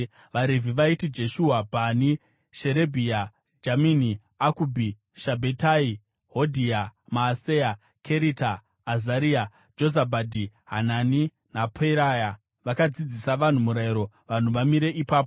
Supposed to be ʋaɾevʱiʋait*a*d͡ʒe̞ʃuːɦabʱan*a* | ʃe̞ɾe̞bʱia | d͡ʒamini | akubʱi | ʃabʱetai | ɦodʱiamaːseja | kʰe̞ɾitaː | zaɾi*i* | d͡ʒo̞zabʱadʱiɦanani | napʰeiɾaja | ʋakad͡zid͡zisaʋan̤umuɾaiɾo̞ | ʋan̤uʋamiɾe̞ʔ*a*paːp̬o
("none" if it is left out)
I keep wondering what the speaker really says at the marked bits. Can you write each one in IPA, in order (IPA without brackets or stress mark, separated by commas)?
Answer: i, i, a, i